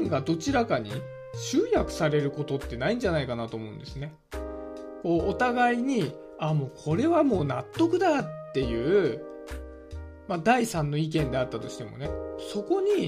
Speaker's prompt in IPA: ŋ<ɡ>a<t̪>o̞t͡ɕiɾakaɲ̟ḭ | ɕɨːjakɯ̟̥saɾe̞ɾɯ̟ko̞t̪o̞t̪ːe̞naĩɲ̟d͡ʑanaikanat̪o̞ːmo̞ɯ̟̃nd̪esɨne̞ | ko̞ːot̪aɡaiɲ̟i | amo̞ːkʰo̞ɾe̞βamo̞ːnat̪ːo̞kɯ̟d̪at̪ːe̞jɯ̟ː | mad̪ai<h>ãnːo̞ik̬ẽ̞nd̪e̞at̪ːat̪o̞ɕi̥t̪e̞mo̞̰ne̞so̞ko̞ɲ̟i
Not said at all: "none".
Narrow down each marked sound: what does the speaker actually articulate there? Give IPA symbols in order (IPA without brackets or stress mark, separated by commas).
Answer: ɡ, d̪, s